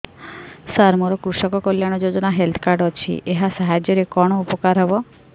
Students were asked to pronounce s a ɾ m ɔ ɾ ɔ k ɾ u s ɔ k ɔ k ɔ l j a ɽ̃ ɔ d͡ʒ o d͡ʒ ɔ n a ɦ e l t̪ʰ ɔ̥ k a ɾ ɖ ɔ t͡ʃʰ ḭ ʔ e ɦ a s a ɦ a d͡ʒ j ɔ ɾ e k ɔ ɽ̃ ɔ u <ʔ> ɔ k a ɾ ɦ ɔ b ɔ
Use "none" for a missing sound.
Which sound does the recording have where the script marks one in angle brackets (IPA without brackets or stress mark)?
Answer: p